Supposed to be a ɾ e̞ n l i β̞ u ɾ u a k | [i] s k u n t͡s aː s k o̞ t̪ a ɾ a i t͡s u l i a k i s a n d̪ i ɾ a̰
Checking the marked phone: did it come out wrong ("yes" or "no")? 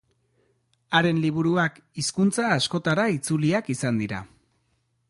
no